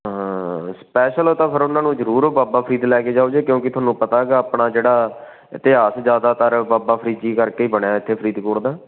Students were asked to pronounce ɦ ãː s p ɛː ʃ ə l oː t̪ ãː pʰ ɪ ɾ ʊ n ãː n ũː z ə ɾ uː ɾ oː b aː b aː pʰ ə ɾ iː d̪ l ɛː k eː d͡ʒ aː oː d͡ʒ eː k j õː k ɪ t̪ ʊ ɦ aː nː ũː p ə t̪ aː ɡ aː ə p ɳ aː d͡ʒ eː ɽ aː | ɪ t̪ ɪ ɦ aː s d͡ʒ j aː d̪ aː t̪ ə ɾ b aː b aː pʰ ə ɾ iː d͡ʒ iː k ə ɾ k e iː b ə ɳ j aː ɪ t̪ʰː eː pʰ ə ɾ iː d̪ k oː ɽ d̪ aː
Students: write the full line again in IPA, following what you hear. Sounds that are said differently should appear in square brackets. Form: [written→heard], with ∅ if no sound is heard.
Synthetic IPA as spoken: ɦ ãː s p ɛː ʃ ə l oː t̪ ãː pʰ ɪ ɾ ʊ n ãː n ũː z ə ɾ uː ɾ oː b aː b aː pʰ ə ɾ iː d̪ l ɛː k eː d͡ʒ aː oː d͡ʒ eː k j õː k ɪ t̪ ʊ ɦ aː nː ũː p ə t̪ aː ɡ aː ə p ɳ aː d͡ʒ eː ɽ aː | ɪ t̪ ɪ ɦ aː s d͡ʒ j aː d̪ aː t̪ ə ɾ b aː b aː pʰ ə ɾ iː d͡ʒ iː k ə ɾ k e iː b ə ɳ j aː ɪ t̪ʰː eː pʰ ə ɾ iː d̪ k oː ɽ d̪ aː